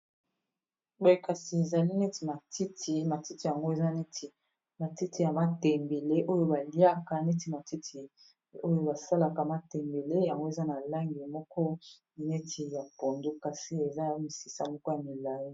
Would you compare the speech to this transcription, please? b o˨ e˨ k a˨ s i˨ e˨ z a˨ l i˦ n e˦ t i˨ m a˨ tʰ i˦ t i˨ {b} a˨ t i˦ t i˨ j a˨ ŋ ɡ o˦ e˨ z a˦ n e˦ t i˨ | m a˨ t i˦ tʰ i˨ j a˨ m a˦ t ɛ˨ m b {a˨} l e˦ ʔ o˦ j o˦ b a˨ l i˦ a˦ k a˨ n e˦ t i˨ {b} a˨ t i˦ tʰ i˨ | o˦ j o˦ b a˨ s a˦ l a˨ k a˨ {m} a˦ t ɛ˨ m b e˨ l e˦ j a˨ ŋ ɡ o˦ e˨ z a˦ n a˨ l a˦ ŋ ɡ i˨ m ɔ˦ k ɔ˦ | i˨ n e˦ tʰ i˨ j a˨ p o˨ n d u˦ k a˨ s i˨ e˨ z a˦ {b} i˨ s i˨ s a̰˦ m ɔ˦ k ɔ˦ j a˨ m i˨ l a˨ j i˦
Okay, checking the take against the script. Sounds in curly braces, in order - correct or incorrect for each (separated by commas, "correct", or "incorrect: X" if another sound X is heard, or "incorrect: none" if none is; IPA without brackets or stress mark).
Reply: incorrect: m, incorrect: e˨, incorrect: m, correct, incorrect: m